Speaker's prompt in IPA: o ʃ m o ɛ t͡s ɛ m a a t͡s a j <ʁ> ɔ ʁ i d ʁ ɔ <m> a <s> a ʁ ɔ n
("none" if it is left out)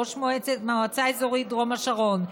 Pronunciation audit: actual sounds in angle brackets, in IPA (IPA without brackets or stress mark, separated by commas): z, m, ʃ